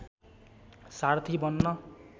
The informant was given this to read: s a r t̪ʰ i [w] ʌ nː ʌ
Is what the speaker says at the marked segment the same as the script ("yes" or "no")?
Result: no